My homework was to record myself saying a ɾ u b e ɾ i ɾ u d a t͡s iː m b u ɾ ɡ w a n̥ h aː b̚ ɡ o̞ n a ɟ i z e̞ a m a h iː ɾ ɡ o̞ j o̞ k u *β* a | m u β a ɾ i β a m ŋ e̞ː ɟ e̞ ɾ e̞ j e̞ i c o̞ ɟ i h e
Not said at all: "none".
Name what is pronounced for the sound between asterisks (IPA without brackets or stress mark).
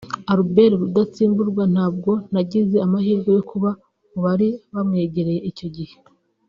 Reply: β